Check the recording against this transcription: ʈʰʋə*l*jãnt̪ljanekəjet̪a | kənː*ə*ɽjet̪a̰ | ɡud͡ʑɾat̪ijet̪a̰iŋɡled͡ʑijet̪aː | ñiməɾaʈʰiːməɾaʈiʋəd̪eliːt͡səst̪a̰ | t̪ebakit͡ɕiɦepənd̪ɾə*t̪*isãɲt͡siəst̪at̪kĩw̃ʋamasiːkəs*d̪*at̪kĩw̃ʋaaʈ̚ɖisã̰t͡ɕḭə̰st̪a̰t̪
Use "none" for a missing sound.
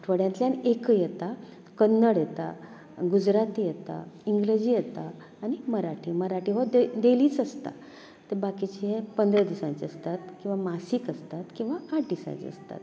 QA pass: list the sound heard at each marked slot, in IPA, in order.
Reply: ɽ, ə, d̪, t̪

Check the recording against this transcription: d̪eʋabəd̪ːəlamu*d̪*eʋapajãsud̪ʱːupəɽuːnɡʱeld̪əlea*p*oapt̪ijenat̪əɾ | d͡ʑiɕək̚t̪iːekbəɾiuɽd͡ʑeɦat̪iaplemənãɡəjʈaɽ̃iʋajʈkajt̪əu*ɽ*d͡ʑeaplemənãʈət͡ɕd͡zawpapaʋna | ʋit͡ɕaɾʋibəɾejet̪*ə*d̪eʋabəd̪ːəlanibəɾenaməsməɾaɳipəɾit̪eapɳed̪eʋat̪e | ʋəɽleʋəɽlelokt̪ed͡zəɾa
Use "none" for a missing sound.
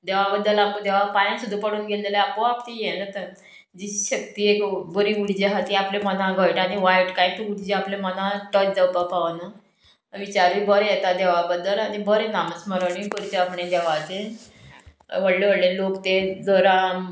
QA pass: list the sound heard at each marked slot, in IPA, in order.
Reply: d̪, p, ɽ, a

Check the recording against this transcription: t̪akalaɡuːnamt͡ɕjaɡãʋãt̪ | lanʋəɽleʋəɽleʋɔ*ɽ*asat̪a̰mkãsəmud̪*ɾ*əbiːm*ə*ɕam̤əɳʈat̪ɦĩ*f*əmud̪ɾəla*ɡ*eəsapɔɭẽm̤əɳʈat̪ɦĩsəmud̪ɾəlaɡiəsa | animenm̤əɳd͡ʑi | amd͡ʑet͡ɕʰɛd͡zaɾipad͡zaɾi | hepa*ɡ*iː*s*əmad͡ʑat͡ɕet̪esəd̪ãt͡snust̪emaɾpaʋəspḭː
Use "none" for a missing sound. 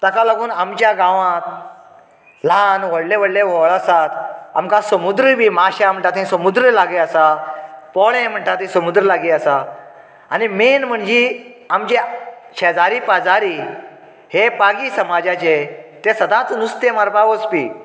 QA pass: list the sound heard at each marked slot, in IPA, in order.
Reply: ɭ, ɾ, a, s, ɡ, ɡ, s

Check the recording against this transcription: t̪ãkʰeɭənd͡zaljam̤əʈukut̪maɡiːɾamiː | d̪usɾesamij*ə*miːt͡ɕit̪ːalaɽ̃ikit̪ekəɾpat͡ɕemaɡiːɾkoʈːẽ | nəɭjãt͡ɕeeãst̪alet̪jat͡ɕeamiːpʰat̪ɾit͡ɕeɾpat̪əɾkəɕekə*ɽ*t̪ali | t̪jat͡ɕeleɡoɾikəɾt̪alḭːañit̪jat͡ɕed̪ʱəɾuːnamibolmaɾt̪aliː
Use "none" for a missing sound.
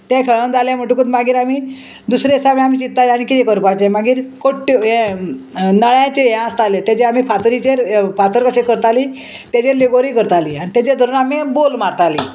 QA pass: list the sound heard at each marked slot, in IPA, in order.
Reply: a, ɾ

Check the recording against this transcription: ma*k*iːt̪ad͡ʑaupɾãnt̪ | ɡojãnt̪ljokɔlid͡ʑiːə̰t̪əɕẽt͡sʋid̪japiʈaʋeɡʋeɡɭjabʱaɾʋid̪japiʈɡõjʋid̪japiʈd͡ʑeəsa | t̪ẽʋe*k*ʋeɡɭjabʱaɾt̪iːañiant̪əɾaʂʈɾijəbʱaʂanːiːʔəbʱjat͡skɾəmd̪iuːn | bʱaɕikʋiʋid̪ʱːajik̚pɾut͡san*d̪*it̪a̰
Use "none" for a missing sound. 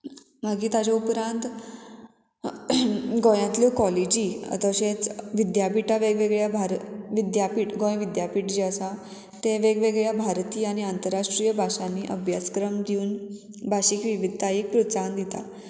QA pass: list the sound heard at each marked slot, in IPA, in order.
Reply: ɡ, ɡ, d̪

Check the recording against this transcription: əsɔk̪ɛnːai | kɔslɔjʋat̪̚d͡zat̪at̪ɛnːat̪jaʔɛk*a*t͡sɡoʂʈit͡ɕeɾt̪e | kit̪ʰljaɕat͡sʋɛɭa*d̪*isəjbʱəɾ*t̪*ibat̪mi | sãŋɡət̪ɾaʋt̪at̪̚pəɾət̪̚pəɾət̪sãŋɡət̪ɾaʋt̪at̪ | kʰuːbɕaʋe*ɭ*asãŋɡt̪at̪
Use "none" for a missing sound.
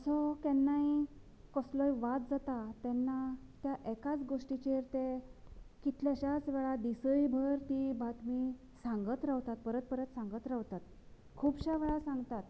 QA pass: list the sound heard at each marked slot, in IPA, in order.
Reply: a, d̪, t̪, ɭ

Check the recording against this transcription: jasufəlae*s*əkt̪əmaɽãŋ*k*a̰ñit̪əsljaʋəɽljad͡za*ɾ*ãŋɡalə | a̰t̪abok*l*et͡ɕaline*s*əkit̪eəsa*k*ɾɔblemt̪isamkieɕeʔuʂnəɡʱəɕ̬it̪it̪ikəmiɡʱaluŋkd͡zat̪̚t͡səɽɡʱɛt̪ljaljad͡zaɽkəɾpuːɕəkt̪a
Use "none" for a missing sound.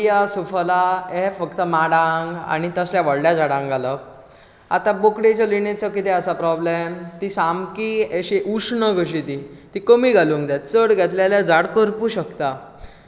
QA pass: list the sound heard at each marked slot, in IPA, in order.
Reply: f, ɡ, ɽ, ɽ, t͡s, p

